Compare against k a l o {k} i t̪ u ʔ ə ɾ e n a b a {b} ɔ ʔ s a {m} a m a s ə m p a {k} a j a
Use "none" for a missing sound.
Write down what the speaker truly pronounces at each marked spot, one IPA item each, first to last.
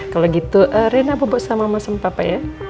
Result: ɡ, b, m, p

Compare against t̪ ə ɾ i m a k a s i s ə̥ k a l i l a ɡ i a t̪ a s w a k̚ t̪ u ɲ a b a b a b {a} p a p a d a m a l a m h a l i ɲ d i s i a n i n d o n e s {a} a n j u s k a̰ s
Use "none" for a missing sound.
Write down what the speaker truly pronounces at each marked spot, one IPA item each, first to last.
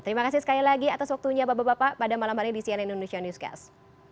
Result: a, i

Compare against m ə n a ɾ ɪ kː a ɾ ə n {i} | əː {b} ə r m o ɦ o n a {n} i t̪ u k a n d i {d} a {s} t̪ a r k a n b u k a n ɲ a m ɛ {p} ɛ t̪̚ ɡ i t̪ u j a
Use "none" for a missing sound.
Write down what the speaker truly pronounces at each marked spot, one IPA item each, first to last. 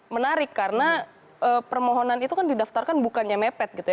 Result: a, p, n, d, f, p

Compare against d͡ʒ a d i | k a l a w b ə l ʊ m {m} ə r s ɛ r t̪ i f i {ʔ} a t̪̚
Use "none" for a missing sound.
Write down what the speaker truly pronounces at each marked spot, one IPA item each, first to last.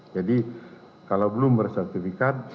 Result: b, k

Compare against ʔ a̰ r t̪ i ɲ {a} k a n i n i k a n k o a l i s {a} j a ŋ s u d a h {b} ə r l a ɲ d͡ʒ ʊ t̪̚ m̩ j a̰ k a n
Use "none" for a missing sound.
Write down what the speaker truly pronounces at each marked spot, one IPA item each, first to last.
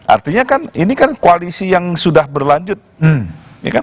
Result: a, i, b

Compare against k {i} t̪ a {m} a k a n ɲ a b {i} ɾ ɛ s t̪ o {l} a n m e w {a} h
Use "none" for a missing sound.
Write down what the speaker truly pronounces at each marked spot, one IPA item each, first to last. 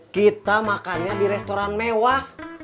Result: i, m, i, ɾ, a

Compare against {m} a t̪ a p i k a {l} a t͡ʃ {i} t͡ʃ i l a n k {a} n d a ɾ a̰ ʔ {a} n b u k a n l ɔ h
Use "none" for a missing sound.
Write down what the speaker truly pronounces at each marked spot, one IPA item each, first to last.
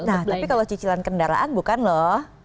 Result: n, l, i, ə, a

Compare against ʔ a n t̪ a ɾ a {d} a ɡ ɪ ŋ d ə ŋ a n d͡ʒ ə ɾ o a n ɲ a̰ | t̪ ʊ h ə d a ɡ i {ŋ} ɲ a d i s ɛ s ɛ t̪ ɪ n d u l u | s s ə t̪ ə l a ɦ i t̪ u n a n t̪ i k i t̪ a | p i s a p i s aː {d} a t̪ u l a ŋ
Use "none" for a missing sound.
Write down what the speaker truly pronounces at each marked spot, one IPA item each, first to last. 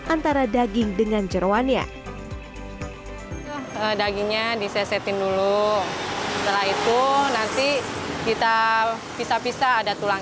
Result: d, ŋ, d

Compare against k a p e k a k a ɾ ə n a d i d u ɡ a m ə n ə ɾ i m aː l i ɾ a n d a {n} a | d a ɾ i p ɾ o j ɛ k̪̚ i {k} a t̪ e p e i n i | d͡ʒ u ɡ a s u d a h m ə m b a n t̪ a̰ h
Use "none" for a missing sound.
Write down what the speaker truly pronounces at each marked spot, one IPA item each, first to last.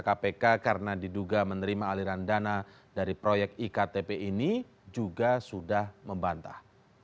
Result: n, k

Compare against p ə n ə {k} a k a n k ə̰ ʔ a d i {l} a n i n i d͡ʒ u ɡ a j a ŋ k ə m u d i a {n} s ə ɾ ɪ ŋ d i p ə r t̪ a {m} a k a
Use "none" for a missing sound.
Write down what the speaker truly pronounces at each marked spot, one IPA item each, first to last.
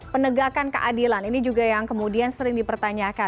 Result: ɡ, l, n, ɲ

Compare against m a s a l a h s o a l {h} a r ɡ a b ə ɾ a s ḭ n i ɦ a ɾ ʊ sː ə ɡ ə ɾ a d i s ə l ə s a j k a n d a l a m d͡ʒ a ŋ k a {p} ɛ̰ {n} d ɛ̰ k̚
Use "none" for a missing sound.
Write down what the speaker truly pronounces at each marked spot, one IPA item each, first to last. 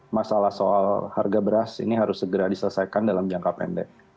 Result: h, p, n

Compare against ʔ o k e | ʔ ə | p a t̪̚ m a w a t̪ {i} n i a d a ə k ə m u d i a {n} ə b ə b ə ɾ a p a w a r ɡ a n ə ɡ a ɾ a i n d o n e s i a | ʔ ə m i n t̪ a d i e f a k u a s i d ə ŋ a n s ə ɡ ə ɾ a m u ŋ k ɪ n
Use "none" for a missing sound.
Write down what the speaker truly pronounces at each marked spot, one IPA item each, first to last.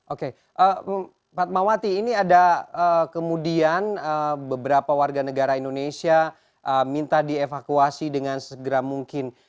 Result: iː, n

